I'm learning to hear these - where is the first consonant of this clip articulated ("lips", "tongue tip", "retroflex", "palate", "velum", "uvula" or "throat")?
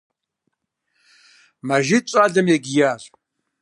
lips